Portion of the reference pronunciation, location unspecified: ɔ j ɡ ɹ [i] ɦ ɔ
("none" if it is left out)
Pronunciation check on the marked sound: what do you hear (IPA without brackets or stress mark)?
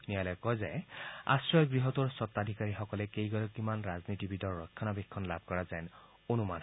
i